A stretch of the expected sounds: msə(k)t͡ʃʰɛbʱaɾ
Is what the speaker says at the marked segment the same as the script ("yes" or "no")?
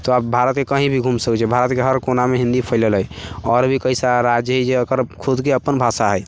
yes